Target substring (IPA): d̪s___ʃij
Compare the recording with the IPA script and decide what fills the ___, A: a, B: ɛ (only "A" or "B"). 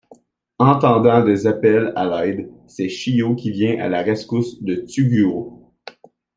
B